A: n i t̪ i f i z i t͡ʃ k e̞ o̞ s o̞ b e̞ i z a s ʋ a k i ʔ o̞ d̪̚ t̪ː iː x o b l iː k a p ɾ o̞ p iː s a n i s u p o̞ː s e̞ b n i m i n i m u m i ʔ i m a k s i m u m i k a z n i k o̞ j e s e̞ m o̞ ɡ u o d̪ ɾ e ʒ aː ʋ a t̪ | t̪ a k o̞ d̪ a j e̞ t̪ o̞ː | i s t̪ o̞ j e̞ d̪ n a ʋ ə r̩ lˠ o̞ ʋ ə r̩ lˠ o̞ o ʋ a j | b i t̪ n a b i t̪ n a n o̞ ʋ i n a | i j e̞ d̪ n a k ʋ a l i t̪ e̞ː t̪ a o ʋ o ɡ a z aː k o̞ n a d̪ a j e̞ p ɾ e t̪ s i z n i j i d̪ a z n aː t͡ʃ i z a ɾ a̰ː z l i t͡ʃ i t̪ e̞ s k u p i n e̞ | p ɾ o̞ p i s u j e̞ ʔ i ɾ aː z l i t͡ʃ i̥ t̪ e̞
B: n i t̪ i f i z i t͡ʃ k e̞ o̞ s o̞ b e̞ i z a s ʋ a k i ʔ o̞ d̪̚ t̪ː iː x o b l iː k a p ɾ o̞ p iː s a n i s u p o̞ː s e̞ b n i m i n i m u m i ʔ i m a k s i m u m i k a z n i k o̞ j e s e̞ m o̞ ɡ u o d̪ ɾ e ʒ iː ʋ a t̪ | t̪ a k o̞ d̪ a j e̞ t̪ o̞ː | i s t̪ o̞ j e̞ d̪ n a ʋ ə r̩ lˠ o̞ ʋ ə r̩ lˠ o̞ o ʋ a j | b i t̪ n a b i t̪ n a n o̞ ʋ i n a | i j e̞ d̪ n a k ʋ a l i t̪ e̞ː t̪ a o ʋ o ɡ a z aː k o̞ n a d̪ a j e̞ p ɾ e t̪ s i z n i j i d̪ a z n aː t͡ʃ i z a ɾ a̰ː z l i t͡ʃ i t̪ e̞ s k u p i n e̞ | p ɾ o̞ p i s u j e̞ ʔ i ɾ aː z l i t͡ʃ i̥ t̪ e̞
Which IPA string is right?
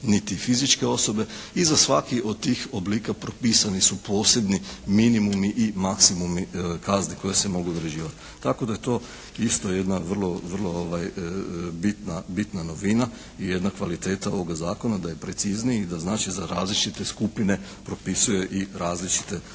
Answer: B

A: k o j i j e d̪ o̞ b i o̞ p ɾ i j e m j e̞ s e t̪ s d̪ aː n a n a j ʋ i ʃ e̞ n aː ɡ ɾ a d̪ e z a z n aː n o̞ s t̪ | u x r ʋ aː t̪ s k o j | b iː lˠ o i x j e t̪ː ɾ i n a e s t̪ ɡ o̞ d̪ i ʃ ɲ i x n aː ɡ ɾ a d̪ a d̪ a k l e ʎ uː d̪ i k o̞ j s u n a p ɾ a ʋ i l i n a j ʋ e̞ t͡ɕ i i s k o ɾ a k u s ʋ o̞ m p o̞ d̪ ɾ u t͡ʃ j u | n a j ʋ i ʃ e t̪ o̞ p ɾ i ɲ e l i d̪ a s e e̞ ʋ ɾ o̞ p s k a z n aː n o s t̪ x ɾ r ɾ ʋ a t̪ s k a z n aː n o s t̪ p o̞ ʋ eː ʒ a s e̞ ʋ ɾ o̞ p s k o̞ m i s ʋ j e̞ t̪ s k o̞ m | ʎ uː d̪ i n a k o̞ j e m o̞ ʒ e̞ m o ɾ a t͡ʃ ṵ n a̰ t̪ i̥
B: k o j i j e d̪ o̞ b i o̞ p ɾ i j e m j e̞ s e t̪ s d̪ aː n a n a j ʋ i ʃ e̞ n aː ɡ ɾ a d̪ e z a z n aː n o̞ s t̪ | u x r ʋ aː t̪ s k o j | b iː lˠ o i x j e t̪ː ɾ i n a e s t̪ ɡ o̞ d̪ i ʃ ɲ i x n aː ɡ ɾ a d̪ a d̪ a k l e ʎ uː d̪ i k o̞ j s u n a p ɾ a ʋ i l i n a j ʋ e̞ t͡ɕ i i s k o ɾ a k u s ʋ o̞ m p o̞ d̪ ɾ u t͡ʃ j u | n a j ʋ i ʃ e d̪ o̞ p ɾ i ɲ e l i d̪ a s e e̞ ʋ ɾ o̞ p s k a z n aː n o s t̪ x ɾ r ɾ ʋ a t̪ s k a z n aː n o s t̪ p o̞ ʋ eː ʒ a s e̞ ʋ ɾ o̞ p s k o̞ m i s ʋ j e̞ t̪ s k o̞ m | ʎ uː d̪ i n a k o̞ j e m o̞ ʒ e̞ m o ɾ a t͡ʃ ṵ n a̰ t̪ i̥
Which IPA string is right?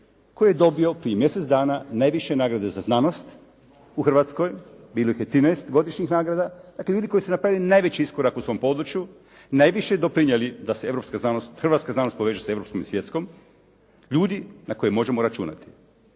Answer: B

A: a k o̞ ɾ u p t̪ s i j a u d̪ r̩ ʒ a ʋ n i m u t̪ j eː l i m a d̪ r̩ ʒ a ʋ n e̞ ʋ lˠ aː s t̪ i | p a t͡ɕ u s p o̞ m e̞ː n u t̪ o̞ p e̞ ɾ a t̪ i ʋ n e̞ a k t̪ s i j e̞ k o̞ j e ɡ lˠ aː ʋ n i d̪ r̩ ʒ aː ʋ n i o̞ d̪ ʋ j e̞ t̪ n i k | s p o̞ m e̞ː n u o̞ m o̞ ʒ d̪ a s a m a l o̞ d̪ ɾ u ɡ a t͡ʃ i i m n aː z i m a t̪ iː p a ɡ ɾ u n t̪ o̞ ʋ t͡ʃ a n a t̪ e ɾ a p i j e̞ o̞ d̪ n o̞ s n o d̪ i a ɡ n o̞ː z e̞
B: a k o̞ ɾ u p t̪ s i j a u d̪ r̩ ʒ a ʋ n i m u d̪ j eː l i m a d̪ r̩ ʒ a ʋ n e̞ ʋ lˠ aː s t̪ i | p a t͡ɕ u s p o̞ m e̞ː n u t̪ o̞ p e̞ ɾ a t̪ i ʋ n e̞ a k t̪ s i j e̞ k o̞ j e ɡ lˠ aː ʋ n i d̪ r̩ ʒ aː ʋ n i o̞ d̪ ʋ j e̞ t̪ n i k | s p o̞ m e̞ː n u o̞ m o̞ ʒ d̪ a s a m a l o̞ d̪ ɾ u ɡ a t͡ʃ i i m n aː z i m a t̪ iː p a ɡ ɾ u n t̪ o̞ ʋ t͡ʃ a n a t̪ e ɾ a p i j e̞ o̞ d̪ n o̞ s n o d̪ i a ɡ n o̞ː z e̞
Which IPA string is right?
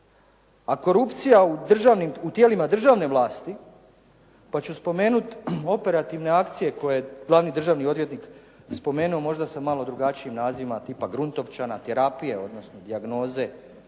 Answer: A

